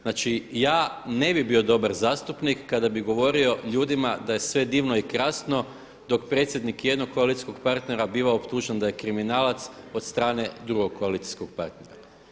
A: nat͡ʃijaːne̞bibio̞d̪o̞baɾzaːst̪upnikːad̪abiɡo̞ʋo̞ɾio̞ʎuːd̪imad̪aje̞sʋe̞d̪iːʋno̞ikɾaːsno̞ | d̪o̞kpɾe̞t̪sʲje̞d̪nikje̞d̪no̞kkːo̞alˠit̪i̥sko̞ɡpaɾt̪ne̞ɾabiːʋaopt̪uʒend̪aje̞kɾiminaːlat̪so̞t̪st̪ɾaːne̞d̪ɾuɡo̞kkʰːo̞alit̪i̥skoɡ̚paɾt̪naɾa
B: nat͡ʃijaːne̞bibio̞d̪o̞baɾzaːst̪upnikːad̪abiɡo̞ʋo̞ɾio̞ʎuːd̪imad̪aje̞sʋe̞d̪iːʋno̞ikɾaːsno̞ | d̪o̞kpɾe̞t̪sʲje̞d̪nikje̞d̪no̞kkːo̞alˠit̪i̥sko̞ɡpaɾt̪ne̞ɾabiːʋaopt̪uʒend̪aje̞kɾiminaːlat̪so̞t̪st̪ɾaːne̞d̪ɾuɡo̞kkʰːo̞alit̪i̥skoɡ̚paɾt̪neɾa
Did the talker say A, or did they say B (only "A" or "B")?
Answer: B